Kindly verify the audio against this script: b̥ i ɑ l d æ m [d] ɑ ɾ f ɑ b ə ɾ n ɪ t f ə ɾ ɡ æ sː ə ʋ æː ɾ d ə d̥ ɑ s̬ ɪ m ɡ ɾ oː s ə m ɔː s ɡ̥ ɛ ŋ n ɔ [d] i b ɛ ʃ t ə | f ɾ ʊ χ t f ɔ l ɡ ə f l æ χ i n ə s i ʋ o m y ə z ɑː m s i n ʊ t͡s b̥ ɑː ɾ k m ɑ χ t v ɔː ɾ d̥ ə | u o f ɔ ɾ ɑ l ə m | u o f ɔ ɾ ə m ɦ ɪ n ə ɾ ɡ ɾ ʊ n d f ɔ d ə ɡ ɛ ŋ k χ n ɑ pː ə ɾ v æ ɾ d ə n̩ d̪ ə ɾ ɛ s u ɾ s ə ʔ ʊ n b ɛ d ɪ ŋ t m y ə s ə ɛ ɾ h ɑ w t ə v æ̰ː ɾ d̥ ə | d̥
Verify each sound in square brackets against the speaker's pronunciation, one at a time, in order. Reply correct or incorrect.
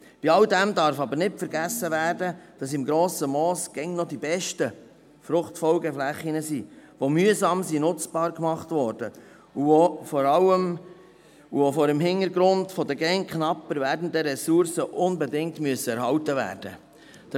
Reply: correct, correct

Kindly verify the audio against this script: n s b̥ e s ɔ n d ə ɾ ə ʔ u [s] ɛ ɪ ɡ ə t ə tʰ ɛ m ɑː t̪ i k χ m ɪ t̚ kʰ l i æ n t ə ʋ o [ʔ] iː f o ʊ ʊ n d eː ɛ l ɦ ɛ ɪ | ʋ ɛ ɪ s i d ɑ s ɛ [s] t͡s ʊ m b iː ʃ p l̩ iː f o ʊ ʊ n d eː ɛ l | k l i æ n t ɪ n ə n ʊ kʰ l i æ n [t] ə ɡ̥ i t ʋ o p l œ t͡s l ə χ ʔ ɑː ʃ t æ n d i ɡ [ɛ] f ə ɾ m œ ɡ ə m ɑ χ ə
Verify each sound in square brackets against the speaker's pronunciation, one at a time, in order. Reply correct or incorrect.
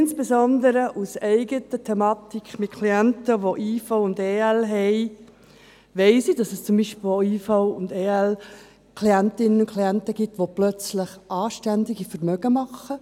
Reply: correct, correct, correct, correct, incorrect

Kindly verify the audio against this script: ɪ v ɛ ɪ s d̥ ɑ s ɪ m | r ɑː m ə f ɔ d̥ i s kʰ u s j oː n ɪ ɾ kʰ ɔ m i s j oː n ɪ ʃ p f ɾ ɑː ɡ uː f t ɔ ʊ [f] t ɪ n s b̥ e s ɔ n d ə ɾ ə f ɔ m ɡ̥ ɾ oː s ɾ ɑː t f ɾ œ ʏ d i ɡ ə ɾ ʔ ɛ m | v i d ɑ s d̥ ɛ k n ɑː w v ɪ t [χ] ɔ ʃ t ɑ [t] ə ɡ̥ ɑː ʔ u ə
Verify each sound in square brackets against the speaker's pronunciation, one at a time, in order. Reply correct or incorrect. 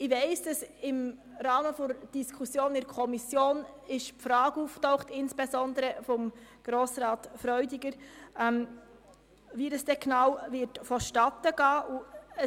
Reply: incorrect, incorrect, correct

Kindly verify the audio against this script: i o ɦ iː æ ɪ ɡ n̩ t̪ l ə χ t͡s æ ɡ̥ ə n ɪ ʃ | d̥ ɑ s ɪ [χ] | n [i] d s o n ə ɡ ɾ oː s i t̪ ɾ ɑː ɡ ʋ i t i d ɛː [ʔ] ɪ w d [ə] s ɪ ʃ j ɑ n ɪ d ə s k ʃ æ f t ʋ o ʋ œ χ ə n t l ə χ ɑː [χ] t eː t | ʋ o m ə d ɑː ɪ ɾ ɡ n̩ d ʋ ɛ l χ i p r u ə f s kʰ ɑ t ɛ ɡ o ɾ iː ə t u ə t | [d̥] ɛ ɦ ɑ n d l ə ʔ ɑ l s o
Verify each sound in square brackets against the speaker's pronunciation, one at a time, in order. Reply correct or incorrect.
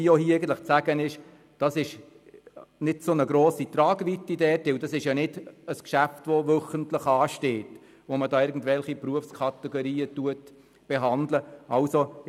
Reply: incorrect, incorrect, incorrect, incorrect, incorrect, incorrect

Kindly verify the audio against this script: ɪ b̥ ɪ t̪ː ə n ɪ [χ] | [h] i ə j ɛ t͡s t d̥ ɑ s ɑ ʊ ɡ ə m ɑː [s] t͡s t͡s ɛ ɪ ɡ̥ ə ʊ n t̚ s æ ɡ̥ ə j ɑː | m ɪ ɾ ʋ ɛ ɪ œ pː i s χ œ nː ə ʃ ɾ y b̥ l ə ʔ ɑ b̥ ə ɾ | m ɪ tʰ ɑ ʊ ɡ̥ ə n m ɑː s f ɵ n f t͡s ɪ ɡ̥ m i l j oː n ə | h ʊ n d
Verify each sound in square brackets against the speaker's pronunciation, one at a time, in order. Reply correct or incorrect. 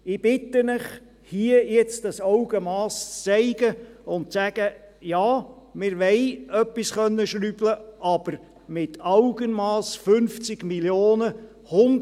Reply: correct, correct, correct

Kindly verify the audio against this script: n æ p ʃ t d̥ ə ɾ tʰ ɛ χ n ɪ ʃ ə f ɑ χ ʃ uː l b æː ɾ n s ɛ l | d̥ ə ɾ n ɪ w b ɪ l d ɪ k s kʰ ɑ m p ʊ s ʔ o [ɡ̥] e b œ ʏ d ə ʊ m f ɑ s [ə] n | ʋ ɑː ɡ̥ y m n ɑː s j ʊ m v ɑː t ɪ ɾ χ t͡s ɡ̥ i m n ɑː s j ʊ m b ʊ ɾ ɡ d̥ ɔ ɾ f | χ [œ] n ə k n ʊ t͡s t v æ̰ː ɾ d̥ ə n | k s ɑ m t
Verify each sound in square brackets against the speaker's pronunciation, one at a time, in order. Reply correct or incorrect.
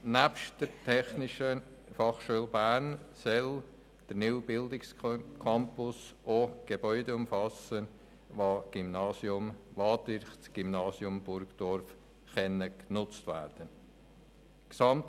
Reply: correct, correct, incorrect

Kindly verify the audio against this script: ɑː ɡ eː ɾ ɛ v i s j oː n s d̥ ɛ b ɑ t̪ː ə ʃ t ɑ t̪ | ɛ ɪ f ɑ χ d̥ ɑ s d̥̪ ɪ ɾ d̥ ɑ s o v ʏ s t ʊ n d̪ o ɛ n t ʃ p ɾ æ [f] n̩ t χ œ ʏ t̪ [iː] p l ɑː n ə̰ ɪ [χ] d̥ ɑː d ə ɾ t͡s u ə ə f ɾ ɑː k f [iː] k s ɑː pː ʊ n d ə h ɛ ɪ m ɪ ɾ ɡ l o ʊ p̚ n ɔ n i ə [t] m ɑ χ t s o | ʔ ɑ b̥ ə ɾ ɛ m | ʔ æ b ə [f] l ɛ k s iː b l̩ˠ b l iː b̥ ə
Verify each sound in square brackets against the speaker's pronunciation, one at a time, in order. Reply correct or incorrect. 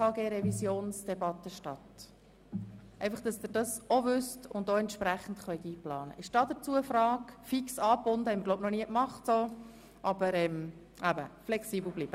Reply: incorrect, correct, incorrect, incorrect, incorrect, correct

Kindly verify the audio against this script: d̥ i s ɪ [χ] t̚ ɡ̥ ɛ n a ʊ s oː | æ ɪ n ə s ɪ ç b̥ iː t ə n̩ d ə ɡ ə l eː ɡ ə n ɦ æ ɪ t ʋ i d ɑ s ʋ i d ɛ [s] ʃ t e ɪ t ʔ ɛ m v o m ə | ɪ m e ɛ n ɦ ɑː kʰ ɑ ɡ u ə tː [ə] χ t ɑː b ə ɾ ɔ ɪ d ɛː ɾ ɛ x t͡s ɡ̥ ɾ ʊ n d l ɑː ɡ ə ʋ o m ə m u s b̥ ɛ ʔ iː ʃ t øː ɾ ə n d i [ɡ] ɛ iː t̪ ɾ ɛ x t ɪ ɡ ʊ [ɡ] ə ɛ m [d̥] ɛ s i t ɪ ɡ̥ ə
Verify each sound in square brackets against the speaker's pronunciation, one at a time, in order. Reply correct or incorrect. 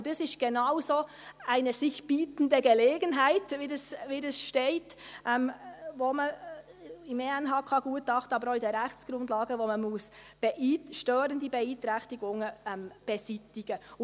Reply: incorrect, correct, incorrect, incorrect, incorrect, incorrect

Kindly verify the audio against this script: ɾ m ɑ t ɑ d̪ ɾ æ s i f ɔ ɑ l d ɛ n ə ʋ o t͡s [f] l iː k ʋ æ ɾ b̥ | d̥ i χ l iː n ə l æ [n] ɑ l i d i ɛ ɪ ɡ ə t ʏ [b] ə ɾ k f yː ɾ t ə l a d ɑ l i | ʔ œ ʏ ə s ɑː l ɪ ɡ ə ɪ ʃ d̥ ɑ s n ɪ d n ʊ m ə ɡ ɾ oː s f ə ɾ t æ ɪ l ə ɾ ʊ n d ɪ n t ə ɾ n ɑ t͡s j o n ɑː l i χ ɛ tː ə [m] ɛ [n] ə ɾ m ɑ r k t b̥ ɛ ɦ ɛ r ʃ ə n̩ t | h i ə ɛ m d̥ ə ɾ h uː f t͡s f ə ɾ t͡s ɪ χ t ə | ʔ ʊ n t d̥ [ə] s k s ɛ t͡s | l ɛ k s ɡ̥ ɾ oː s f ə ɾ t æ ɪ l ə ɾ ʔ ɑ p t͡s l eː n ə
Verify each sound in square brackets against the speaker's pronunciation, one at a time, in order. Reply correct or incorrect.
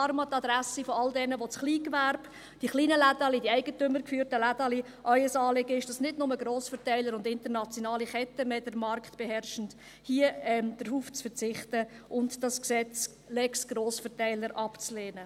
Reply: incorrect, incorrect, incorrect, correct, incorrect, incorrect

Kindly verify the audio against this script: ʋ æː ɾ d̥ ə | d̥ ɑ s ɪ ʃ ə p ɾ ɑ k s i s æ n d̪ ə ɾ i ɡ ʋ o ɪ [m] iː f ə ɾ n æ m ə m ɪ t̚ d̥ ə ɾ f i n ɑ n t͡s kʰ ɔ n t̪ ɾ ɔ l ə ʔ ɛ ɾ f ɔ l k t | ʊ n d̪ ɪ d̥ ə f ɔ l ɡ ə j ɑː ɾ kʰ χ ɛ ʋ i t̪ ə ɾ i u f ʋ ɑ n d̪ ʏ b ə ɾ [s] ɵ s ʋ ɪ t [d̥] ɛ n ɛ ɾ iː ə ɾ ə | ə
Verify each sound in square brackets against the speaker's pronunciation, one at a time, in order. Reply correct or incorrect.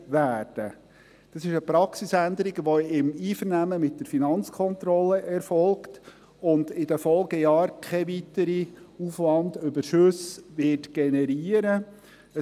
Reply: correct, incorrect, incorrect

